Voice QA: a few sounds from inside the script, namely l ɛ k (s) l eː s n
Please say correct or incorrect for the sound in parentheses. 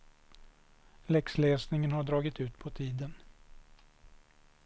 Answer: correct